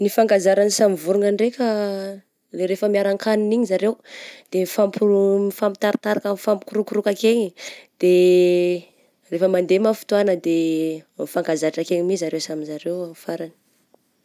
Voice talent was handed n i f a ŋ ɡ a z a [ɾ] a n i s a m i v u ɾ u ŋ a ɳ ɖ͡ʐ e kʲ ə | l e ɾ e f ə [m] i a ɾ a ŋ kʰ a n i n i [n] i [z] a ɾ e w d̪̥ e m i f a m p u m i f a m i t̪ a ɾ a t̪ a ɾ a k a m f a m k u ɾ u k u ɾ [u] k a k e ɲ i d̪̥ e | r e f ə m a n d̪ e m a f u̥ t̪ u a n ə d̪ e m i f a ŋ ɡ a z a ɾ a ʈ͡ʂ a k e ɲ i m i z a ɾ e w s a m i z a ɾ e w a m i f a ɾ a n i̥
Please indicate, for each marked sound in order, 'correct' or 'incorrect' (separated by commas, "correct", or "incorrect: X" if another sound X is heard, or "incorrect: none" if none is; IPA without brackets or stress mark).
correct, correct, incorrect: ɲ, correct, correct